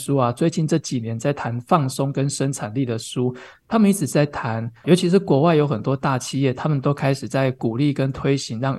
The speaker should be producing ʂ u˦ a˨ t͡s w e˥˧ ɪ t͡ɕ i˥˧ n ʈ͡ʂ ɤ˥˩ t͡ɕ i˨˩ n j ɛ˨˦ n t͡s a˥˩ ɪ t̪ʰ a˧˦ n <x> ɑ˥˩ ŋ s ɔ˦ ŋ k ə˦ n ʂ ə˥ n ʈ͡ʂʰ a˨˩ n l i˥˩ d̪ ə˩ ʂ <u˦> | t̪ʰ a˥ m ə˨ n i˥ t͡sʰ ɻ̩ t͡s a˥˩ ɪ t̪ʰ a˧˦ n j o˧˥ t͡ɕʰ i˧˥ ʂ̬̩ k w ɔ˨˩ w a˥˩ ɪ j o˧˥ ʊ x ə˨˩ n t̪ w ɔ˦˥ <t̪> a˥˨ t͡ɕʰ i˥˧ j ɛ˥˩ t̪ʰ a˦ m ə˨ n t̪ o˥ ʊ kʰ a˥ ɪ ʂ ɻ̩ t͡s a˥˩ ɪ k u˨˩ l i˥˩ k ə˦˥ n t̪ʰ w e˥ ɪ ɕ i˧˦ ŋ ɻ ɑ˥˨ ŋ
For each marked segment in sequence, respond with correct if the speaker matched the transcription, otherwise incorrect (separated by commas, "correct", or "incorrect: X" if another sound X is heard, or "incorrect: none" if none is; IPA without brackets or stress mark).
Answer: incorrect: f, correct, correct